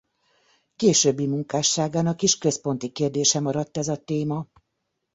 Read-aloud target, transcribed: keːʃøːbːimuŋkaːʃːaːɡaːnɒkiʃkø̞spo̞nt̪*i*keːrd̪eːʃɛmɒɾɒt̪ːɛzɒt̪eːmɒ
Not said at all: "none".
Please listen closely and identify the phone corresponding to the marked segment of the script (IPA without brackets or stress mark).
i